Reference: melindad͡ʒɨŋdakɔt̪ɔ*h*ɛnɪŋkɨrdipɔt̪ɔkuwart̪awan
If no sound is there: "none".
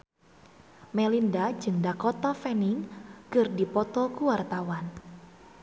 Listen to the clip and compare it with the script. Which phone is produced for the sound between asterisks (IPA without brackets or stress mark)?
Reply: f